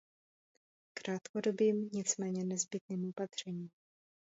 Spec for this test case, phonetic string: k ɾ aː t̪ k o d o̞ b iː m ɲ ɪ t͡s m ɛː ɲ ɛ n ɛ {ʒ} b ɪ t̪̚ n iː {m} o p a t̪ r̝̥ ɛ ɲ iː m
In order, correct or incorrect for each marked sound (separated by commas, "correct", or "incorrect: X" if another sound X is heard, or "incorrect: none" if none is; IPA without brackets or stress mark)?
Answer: incorrect: z, correct